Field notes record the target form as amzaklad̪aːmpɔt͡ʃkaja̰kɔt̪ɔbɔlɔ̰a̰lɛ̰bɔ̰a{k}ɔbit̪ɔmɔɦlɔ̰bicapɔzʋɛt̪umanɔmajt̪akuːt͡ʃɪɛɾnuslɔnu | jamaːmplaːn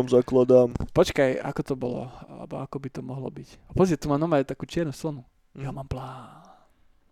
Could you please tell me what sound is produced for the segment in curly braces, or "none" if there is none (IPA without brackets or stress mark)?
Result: k